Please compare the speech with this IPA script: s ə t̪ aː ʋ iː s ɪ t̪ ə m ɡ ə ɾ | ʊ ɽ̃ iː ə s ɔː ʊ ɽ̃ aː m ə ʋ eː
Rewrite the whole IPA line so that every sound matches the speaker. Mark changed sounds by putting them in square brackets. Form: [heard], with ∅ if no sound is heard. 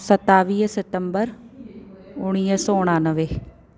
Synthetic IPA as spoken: s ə t̪ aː ʋ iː s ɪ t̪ ə m [b] ə ɾ | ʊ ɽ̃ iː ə s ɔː ʊ ɽ̃ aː [n] ə ʋ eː